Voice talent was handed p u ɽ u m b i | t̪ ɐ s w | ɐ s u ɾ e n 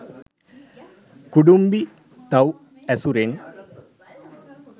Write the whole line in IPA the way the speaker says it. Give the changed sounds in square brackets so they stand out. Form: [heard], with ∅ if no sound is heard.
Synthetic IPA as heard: [k] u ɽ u m b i | t̪ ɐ [∅] w | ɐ s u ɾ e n